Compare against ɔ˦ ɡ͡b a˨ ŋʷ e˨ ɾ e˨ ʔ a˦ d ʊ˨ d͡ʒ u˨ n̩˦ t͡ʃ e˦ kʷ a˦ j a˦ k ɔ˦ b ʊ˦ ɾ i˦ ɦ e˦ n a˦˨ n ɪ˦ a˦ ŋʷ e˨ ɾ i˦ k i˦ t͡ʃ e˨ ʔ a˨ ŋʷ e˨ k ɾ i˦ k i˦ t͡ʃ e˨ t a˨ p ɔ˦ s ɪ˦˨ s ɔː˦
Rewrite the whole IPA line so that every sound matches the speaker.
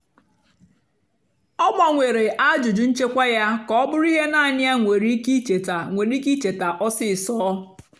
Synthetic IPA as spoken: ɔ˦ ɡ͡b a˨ ŋʷ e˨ ɾ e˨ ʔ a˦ d͡ʒ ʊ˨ d͡ʒ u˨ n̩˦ t͡ʃ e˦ kʷ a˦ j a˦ k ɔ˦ b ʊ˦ ɾ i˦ ɦ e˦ n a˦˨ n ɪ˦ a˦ ŋʷ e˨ ɾ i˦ k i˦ t͡ʃ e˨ t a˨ ŋʷ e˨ ɾ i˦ k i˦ t͡ʃ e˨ t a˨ ʔ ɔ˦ s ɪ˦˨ s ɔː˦